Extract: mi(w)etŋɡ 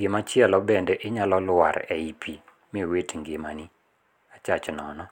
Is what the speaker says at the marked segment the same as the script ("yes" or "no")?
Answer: yes